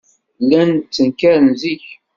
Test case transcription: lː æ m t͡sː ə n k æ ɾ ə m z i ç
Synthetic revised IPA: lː æ n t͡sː ə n k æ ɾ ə n z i ç